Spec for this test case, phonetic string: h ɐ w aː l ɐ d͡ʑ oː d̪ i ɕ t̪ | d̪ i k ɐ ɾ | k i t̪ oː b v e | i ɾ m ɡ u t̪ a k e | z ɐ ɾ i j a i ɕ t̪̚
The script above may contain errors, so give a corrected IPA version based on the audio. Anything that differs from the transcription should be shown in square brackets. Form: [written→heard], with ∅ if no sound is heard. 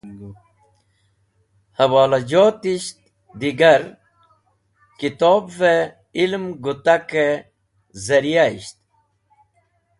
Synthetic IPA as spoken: h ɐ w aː l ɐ d͡ʑ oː [d̪→t̪] i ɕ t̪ | d̪ i [k→ɡ] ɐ ɾ | k i t̪ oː b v e | i [ɾ→l] m ɡ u t̪ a k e | z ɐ ɾ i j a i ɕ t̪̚